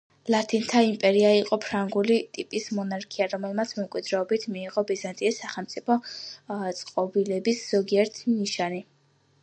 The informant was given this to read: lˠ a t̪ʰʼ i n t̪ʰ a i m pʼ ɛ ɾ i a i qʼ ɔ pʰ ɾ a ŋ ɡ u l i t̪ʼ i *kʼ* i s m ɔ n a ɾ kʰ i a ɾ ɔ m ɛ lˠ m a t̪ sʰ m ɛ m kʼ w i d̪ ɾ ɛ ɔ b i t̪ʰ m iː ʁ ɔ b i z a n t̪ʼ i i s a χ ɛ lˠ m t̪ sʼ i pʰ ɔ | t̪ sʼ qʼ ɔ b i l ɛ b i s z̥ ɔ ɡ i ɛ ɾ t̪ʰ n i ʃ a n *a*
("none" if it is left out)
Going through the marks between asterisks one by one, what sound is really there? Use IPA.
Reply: pʼ, i

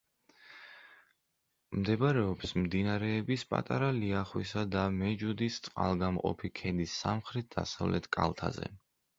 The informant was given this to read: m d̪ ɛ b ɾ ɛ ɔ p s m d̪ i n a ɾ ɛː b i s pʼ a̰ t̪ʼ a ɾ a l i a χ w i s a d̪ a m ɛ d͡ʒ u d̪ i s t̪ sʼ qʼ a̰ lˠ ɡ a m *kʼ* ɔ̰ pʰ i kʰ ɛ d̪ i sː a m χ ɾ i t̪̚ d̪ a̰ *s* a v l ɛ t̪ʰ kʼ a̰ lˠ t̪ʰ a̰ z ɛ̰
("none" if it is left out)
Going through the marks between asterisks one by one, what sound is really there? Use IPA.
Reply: qʼ, s

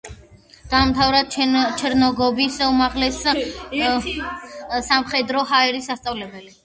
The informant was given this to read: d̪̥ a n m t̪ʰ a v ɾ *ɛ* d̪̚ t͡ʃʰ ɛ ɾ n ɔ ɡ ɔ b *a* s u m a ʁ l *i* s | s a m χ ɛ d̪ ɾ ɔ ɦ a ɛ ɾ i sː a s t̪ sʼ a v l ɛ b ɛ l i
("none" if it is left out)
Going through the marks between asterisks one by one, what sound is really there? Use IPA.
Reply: a, i, ɛ

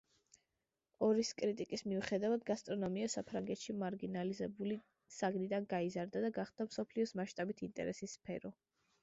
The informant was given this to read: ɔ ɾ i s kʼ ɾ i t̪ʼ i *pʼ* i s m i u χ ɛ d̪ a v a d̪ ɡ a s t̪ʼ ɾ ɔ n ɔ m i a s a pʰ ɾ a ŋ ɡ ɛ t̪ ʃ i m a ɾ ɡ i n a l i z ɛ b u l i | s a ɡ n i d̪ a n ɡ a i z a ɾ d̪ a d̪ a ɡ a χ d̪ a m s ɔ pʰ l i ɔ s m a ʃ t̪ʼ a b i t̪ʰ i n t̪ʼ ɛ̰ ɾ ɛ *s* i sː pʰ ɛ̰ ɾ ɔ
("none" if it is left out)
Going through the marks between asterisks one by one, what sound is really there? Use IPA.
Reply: kʼ, s

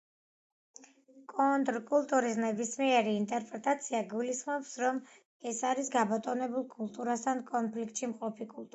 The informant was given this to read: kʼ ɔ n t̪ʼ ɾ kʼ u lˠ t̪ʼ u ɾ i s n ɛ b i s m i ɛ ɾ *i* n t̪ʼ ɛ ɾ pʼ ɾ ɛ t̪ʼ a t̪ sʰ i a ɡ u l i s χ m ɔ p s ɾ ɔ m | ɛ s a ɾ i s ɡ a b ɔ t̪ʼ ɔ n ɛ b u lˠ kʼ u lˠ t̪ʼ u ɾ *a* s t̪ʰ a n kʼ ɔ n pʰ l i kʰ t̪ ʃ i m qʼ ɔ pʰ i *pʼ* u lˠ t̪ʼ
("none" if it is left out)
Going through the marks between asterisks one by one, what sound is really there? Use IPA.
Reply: iː, a, kʼ

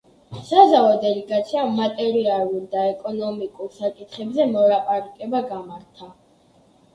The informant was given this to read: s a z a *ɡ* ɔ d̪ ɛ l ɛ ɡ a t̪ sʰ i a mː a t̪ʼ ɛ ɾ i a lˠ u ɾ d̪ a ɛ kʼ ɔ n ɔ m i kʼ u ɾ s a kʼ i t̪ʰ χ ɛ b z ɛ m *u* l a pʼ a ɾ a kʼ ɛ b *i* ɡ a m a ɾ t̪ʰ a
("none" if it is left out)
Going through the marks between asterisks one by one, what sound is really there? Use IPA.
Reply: none, ɔ, a

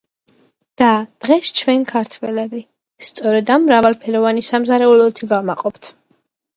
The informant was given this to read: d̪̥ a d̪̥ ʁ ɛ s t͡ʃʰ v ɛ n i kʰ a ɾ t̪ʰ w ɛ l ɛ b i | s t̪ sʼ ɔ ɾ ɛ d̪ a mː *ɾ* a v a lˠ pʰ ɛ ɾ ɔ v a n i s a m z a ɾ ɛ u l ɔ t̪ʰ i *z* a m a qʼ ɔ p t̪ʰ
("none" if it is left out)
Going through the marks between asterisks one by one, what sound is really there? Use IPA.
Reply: ɾ, v

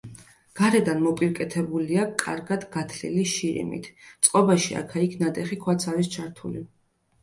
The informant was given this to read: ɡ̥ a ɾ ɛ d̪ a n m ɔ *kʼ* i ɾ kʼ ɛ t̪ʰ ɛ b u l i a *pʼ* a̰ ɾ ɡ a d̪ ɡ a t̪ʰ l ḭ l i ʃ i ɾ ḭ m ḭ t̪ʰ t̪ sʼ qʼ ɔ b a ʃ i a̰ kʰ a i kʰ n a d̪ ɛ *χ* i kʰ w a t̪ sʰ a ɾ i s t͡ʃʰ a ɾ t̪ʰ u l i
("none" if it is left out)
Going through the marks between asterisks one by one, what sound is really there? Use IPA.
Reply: pʼ, kʼ, χ

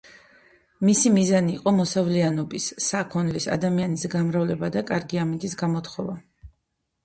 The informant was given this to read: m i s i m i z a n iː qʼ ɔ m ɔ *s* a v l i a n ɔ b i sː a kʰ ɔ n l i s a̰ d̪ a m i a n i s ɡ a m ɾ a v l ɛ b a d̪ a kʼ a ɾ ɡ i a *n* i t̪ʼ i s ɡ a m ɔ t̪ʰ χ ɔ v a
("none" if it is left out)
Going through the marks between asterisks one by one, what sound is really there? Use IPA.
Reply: s, m

